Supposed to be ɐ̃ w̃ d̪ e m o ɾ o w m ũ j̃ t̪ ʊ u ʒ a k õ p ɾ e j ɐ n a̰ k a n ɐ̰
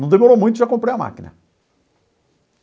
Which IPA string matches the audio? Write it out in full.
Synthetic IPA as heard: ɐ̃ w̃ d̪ e m o ɾ o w m ũ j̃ t̪ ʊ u ʒ a k õ p ɾ e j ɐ m a̰ k i n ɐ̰

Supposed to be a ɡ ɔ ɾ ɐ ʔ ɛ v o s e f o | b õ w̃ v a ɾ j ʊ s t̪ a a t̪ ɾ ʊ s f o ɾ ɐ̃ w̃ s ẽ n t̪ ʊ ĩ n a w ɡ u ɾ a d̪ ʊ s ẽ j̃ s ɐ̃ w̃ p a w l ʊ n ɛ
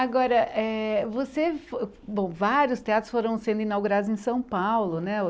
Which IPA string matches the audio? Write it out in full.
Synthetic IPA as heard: a ɡ ɔ ɾ ɐ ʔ ɛ v o s e f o | b õ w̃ v a ɾ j ʊ s t̪ e a t̪ ɾ ʊ s f o ɾ ɐ̃ w̃ s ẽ n d̪ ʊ ĩ n a w ɡ u ɾ a d̪ ʊ z ẽ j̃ s ɐ̃ w̃ p a w l ʊ n ɛ

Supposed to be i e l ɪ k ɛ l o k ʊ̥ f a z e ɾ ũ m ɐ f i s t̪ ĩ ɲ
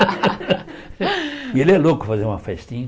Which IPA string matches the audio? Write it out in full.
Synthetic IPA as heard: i e l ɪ ɛ l o k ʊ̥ f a z e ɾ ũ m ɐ f ɛ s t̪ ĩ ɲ

